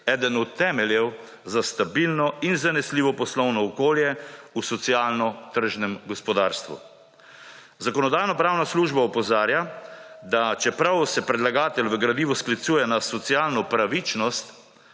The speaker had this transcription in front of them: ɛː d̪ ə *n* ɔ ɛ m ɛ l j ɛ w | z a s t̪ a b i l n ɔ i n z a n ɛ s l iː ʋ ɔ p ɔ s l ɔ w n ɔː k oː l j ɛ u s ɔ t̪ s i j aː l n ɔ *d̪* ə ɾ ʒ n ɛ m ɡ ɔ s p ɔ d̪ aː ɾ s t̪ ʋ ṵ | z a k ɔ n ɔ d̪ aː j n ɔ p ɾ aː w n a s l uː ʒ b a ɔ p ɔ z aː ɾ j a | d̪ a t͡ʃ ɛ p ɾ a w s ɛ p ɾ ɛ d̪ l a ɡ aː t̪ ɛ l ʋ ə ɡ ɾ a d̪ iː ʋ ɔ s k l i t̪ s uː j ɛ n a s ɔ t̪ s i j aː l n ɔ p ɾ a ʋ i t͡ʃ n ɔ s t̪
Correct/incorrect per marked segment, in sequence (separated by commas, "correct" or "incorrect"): correct, incorrect